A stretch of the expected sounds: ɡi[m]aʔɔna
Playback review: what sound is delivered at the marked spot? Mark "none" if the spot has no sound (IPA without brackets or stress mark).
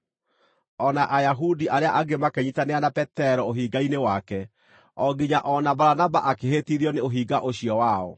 ɲ